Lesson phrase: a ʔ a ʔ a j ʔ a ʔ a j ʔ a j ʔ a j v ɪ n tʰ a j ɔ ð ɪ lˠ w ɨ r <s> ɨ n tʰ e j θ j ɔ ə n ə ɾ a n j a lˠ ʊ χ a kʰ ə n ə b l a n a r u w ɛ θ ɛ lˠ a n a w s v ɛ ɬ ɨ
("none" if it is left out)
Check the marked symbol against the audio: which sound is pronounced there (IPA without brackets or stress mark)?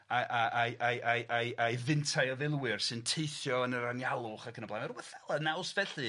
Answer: s